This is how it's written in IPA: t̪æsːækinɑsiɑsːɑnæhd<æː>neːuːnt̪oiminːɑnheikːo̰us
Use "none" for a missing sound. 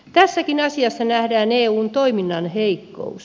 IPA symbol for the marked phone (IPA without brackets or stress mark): æː